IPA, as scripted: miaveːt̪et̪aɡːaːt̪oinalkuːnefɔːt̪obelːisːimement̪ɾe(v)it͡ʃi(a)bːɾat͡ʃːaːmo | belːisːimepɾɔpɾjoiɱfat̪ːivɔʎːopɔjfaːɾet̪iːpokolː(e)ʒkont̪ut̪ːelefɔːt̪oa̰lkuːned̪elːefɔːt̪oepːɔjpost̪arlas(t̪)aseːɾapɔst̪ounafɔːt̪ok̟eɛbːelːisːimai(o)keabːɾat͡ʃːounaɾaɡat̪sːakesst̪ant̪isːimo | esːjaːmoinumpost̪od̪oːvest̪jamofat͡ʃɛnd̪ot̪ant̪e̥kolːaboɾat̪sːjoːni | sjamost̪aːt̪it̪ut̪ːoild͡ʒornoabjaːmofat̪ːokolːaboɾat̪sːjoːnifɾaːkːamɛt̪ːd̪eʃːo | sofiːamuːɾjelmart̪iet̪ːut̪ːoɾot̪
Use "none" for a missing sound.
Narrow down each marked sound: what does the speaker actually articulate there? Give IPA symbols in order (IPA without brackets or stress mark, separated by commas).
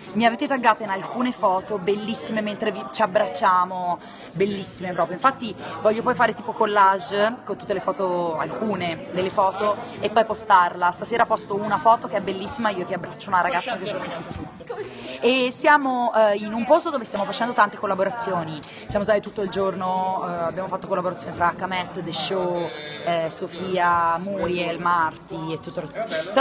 v, a, a, t̪, o